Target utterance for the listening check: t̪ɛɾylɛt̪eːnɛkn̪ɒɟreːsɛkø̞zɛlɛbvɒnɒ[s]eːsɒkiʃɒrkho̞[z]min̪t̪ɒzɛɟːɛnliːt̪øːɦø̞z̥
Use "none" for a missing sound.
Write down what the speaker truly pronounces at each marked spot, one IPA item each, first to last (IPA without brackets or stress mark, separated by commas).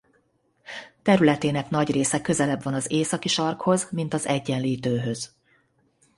z, z